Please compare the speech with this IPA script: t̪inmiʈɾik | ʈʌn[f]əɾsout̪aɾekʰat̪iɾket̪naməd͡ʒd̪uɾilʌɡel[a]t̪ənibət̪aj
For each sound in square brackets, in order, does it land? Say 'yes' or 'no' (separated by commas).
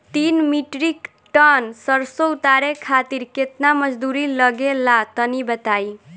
no, yes